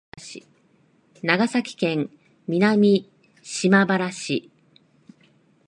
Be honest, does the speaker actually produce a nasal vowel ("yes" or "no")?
yes